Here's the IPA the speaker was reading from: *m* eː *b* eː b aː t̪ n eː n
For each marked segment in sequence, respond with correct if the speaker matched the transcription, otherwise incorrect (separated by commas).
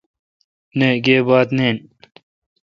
incorrect, incorrect